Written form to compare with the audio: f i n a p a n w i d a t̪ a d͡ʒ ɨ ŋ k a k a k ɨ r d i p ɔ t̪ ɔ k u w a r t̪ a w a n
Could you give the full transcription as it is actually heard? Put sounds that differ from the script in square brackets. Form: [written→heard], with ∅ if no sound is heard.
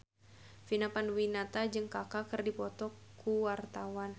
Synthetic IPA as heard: f i n a p a n w i [d→n] a t̪ a d͡ʒ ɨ ŋ k a k a k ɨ r d i p ɔ t̪ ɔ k u w a r t̪ a w a n